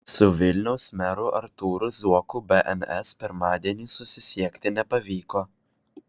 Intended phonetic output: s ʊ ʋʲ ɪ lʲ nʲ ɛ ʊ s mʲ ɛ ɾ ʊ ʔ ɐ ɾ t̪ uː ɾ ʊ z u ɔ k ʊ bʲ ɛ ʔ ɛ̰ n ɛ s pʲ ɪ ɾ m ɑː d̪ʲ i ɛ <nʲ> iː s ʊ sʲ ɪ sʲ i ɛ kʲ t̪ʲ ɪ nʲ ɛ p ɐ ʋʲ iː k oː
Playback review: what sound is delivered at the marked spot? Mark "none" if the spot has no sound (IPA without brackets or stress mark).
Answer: nʲ